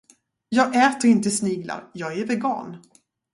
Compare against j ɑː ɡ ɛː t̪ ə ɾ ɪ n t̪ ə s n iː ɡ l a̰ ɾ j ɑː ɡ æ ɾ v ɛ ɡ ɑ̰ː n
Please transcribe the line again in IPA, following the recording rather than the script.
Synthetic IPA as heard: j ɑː ɡ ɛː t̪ ə ɾ ɪ n t̪ ə s n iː ɡ l a̰ ɾ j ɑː ɡ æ ɾ v ɛ ɡ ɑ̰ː n